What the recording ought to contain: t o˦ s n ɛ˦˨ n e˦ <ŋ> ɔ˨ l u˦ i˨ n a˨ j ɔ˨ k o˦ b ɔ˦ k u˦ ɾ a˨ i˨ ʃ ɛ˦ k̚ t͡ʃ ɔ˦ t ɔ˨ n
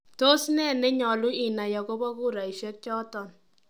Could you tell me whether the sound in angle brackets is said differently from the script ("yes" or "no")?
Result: yes